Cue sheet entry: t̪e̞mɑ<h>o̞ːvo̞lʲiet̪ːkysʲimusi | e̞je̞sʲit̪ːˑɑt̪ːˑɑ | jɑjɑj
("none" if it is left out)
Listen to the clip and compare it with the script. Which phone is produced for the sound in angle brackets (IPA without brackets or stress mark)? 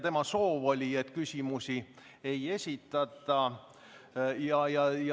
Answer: s